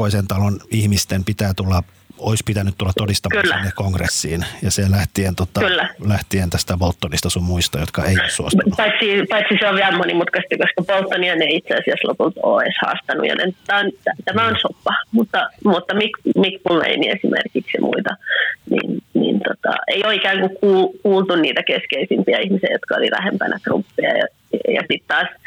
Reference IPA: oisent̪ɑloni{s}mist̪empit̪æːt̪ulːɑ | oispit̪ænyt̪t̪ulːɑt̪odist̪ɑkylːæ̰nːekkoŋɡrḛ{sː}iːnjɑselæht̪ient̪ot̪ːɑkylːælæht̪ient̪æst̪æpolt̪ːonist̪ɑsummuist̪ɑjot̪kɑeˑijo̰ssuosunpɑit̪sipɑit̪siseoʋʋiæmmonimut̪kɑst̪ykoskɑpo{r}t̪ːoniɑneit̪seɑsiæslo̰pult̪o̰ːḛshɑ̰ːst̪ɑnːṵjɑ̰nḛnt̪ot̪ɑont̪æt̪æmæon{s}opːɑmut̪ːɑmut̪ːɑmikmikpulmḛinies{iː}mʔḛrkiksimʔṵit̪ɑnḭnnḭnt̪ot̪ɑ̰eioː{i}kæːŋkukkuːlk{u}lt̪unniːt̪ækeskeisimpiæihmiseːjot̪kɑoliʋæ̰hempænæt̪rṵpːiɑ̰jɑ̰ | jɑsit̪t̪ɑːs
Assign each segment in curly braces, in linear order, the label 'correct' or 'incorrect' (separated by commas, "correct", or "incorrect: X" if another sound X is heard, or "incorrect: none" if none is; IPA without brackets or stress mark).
incorrect: h, correct, incorrect: l, correct, incorrect: i, correct, incorrect: uː